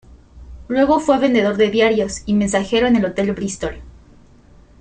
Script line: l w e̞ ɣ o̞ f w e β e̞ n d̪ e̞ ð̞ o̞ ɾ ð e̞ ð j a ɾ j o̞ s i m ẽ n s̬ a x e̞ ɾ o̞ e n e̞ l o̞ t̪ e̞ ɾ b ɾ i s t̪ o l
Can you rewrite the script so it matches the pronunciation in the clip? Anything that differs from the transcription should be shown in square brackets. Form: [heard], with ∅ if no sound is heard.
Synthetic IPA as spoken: l w e̞ ɣ o̞ f w e β e̞ n d̪ e̞ ð̞ o̞ ɾ ð e̞ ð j a ɾ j o̞ s i m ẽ n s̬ a x e̞ ɾ o̞ e n e̞ l o̞ t̪ e̞ [l] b ɾ i s t̪ o l